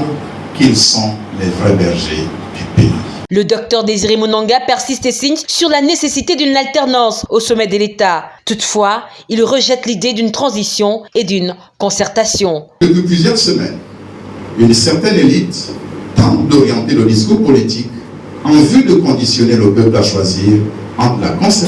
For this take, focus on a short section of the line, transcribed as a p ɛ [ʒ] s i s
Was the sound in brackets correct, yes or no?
no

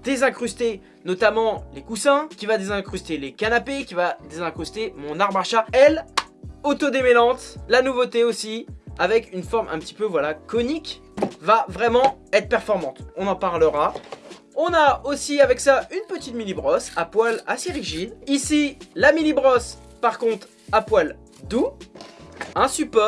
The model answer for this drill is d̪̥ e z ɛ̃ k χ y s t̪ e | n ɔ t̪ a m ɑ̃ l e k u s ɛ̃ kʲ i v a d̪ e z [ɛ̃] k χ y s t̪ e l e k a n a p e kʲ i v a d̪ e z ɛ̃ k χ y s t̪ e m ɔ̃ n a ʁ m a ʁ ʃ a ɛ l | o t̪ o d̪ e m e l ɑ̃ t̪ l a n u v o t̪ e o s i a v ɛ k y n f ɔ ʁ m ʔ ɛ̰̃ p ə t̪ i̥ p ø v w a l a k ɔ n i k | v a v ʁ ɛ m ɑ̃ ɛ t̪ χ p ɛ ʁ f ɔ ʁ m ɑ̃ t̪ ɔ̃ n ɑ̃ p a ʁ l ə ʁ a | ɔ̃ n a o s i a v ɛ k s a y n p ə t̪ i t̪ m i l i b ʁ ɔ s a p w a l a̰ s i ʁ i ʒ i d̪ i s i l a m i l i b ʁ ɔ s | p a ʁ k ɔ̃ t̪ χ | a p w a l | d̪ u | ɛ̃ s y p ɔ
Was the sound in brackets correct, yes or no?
yes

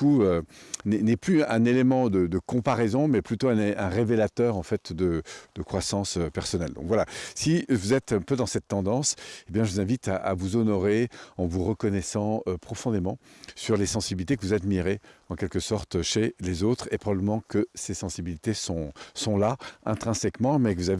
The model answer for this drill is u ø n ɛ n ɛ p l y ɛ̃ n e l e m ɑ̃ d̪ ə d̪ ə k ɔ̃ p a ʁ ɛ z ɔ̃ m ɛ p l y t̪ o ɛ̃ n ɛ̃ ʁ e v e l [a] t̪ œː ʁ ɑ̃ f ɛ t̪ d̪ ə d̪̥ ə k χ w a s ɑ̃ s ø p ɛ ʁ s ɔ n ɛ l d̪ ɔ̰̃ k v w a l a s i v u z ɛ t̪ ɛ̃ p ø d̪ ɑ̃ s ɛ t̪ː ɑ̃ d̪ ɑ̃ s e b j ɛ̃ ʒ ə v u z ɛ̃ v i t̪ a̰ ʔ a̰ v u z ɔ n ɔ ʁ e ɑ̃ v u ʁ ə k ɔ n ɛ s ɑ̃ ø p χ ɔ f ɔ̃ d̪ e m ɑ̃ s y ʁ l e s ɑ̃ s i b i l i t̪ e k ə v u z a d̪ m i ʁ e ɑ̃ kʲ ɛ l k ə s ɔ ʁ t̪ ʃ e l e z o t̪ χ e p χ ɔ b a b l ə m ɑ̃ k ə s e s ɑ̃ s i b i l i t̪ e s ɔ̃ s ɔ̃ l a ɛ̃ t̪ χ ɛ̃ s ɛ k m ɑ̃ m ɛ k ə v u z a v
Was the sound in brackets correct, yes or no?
yes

